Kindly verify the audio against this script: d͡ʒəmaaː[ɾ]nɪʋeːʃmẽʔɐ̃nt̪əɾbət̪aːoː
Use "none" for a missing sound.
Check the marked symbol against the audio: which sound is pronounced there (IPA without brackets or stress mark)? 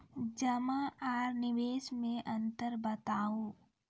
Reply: ɾ